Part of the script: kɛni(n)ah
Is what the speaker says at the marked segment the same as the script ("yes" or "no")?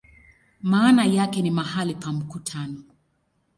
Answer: no